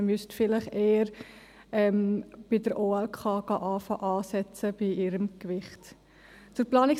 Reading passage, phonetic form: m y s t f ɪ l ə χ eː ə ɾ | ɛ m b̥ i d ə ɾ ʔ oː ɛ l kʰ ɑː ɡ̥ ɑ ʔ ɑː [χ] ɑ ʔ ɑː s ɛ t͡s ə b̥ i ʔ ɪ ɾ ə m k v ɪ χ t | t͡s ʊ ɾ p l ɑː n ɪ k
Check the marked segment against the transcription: incorrect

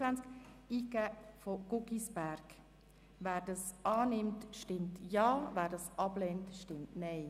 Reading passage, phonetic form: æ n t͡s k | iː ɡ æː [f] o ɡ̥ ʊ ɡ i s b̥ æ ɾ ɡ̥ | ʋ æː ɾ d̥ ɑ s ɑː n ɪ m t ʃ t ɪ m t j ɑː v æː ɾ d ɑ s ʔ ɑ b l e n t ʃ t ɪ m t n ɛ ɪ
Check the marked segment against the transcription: correct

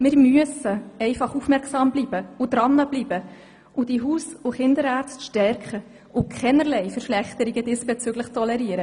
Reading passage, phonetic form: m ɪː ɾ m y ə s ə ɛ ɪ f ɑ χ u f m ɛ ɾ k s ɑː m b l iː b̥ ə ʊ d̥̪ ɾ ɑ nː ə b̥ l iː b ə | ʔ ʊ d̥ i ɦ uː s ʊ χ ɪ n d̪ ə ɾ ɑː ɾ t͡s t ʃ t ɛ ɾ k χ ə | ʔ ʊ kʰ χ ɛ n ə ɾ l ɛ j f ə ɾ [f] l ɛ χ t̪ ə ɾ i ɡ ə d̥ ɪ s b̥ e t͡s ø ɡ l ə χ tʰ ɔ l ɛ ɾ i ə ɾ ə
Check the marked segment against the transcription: incorrect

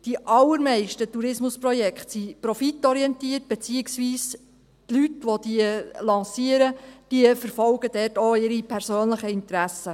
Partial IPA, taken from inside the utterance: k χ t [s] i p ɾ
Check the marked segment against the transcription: correct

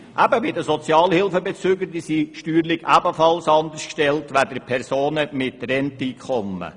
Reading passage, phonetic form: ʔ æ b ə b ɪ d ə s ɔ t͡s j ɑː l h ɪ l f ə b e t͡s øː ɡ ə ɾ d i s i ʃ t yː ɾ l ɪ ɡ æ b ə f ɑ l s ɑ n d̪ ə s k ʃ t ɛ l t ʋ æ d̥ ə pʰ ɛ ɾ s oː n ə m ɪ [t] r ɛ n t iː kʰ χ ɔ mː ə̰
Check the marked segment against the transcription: correct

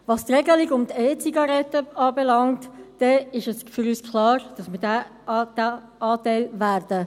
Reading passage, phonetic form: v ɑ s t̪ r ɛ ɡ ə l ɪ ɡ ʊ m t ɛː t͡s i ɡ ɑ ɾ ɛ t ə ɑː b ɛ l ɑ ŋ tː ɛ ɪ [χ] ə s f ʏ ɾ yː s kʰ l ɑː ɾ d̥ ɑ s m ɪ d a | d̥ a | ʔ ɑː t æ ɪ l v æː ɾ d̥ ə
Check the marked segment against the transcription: incorrect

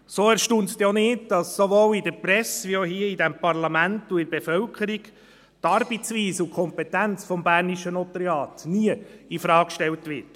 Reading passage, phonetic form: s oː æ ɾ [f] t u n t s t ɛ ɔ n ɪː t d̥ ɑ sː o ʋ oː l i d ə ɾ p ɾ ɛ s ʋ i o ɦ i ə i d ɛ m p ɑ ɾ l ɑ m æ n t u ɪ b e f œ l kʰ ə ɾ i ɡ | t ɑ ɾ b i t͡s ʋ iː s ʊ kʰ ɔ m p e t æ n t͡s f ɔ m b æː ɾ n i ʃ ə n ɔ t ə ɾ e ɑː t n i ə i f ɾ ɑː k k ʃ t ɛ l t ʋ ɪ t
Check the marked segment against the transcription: incorrect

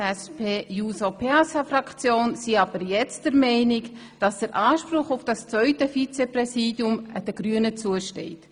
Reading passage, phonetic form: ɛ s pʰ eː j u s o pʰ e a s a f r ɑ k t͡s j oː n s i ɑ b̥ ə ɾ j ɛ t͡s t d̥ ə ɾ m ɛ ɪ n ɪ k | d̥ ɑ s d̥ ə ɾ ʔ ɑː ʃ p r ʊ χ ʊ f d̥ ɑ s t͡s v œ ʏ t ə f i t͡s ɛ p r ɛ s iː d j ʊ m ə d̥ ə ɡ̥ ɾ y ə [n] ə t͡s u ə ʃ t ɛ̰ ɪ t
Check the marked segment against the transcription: correct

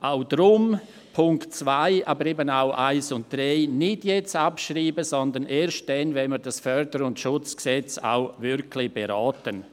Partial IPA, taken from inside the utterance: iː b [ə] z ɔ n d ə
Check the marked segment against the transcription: correct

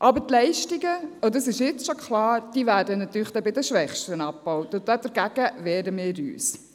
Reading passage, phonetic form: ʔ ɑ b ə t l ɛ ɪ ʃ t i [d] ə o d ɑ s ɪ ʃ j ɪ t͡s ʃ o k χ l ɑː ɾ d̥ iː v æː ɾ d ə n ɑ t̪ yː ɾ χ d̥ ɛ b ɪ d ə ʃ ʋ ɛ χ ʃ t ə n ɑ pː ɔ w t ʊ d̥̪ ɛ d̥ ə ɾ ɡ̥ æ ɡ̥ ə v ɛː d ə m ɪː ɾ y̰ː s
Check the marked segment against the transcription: incorrect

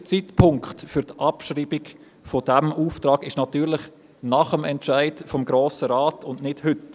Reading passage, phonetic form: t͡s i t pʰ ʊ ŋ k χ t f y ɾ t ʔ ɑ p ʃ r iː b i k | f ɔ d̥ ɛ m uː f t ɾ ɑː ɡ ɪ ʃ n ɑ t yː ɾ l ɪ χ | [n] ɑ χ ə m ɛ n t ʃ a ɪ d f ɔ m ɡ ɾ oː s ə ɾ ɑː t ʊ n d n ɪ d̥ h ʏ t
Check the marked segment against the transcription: correct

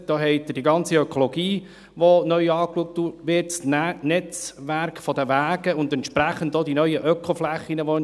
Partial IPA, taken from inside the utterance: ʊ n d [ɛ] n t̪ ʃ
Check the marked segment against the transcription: correct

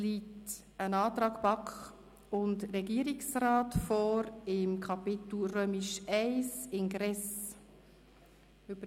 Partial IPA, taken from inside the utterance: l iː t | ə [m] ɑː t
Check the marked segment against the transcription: incorrect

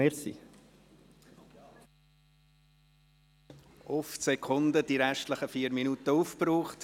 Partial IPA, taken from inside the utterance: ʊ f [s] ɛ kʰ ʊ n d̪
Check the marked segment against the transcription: correct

